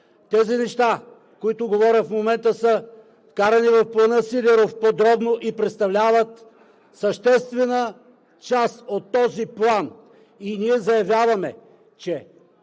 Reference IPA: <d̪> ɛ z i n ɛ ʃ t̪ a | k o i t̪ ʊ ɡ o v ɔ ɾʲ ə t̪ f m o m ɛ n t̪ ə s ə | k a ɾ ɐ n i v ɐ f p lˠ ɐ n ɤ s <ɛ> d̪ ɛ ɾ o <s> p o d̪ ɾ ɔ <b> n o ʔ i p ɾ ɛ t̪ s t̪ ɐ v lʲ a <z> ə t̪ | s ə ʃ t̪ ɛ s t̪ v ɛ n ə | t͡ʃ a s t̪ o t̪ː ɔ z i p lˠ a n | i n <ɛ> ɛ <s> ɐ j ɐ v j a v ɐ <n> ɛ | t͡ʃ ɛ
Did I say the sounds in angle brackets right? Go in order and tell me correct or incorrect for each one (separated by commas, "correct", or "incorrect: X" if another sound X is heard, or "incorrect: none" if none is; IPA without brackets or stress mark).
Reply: incorrect: t̪, incorrect: i, incorrect: f, correct, incorrect: v, incorrect: i, incorrect: z, incorrect: m